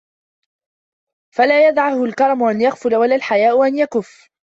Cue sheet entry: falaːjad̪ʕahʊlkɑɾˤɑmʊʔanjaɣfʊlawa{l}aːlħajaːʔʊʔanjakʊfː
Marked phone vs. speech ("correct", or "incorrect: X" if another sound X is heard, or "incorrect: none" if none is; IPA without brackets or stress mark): correct